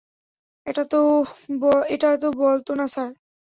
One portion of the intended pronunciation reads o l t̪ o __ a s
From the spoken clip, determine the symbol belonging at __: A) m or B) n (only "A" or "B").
B